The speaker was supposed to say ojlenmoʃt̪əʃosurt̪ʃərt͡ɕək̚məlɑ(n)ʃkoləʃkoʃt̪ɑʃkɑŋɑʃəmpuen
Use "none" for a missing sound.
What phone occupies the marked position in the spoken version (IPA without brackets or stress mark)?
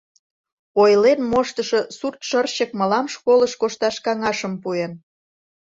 m